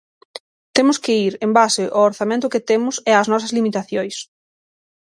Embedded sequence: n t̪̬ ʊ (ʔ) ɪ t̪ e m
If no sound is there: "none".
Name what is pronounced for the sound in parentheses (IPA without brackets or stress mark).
k